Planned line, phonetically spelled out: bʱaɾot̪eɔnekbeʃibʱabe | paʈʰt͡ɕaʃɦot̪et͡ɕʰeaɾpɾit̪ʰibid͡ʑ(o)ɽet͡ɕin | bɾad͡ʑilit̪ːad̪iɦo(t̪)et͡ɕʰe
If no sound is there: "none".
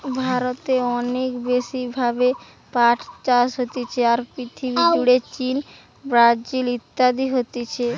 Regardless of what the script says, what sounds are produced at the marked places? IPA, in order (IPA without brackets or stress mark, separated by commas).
u, t̪